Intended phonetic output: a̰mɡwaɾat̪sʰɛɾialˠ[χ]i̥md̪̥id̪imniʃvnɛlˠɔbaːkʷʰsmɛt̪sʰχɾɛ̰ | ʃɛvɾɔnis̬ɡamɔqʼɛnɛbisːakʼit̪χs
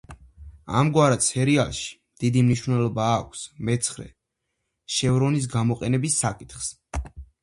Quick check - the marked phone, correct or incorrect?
incorrect: ʃ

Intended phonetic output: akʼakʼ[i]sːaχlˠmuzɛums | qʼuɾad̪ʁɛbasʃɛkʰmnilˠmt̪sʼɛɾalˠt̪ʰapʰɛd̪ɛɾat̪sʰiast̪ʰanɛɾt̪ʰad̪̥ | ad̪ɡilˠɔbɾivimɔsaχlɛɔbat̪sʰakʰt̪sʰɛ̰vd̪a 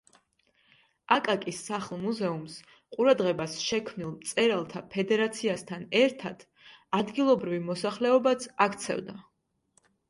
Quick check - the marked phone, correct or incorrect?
correct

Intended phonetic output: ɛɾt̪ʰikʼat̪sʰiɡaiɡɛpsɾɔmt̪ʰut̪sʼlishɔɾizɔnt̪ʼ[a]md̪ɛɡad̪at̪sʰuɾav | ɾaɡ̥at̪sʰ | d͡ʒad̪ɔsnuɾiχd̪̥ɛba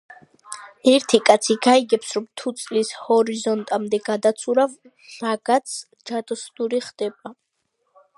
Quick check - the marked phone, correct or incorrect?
correct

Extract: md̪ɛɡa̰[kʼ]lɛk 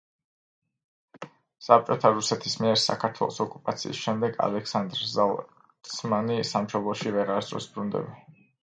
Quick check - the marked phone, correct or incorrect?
incorrect: none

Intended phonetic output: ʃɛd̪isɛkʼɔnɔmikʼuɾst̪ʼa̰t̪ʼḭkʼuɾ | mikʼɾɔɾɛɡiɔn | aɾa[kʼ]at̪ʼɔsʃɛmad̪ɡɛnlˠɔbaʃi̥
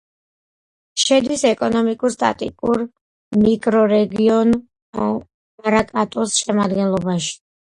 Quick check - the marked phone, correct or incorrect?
correct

